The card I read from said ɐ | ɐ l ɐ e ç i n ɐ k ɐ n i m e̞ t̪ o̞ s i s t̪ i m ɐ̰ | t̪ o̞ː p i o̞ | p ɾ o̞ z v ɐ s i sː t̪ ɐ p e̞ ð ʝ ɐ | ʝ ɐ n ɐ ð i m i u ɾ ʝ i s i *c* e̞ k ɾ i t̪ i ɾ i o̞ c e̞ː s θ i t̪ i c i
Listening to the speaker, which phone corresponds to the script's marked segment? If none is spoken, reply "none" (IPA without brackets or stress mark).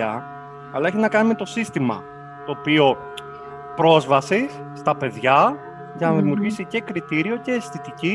c